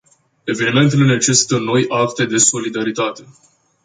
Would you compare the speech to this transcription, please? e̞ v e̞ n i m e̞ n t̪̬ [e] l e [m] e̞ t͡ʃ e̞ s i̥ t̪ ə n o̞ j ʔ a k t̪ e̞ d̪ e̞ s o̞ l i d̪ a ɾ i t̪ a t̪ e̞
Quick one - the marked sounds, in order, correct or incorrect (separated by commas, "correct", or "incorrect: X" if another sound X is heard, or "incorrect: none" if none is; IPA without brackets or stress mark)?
correct, incorrect: n